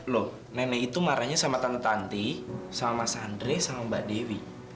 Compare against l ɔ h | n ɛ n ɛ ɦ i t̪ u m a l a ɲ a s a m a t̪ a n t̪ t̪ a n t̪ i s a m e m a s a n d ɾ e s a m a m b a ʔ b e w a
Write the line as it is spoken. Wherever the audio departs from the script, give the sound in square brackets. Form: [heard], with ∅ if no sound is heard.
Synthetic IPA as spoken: l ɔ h | n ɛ n ɛ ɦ i t̪ u m a [ɾ] a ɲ a s a m a t̪ a n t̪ t̪ a n t̪ i s a m [a] m a s a n d ɾ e s a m a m b a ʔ [d] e w [i]

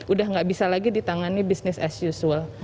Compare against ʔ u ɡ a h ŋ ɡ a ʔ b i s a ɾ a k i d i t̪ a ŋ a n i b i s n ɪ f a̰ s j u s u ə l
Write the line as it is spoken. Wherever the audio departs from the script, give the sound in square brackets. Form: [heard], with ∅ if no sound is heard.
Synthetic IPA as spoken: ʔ u [d] a h ŋ ɡ a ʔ b i s a [l] a [ɡ] i d i t̪ a ŋ a n i b i s n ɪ [s] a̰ s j u s u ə l

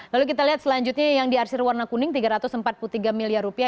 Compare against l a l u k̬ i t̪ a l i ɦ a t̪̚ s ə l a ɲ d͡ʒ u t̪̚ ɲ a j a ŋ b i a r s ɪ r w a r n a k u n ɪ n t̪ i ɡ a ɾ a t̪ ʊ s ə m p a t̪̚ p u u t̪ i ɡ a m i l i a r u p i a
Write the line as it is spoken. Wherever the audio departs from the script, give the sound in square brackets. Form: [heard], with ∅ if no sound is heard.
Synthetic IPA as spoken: l a l u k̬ i t̪ a l i ɦ a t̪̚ s ə l a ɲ d͡ʒ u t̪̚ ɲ a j a ŋ [d] i a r s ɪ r w a r n a k u n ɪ [ŋ] t̪ i ɡ a ɾ a t̪ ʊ s ə m p a t̪̚ p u u t̪ i ɡ a m i l i a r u p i a

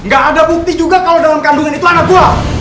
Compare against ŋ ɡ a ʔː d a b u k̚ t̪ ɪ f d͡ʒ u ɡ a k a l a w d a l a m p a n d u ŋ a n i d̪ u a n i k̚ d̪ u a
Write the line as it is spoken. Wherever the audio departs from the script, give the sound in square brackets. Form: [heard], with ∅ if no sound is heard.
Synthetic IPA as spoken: ŋ ɡ a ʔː d a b u k̚ t̪ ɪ [h] d͡ʒ u ɡ a k a l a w d a l a m [k] a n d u ŋ a n i [t̪] u a n [a] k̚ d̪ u a

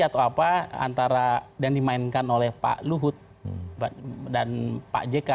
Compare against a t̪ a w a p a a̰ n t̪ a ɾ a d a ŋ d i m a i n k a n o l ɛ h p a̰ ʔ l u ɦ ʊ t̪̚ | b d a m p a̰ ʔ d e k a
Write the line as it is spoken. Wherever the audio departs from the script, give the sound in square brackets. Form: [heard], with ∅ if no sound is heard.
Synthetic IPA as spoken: a t̪ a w a p a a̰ n t̪ a ɾ a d a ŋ d i m a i n k a n o l ɛ h p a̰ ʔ l u ɦ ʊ t̪̚ | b d a [n] p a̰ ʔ [d͡ʒ] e k a

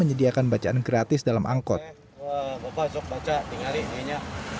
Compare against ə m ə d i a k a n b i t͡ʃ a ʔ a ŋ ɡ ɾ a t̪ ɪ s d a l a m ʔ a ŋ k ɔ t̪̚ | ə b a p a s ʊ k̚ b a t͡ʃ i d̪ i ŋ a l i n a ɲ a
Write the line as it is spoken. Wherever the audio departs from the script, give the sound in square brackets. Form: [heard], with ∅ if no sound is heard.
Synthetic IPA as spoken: ə [ɲ] ə d i a k a n b [a] t͡ʃ a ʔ a [n] ɡ ɾ a t̪ ɪ s d a l a m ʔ a ŋ k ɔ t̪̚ | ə b a p a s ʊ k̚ b a t͡ʃ [a] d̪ i ŋ a l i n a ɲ a

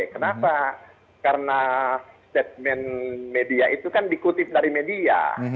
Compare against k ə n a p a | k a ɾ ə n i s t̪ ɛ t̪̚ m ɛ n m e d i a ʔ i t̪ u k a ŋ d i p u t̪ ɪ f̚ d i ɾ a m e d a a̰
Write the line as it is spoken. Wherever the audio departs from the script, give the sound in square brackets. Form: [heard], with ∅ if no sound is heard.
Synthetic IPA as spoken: k ə n a p a | k a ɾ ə n [a] s t̪ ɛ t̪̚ m ɛ n m e d i a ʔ i t̪ u k a [n] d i [k] u t̪ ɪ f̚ d [a] ɾ [i] m e d [i] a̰

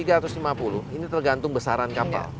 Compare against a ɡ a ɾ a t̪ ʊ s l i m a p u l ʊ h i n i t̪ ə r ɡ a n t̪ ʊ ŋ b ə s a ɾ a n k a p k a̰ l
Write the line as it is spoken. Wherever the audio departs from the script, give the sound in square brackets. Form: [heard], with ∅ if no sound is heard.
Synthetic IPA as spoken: [i] ɡ a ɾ a t̪ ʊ s l i m a p u l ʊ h i n i t̪ ə r ɡ a n t̪ ʊ ŋ b ə s a ɾ a n k a p k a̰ l

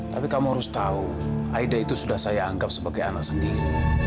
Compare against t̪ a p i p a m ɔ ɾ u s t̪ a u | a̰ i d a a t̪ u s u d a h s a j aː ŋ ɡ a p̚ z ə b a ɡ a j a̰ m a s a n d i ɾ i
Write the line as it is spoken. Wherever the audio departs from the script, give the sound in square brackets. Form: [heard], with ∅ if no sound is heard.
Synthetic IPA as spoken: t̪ a p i [k] a m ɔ ɾ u s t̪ a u | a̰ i d a [i] t̪ u s u d a h s a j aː ŋ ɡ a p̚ [s] ə b a ɡ a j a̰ [n] a s [ə] n d i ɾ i

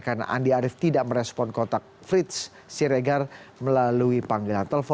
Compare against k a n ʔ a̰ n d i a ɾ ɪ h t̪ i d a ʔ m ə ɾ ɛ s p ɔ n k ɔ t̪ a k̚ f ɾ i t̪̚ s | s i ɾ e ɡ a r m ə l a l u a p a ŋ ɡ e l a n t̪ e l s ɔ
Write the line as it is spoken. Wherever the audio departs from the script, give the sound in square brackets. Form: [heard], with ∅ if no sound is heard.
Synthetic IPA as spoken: k a n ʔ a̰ n d i a ɾ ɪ [f] t̪ i d a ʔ m ə ɾ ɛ s p ɔ n k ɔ t̪ a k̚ f ɾ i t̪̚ s | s i ɾ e ɡ a r m ə l a l u [i] p a ŋ ɡ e l a n t̪ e l [f] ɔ

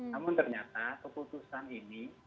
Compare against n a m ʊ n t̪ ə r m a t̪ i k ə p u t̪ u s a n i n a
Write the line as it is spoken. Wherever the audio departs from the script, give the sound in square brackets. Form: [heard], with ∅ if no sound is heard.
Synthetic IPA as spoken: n a m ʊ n t̪ ə r [ɲ] a t̪ [a] k ə p u t̪ u s a n i n [i]

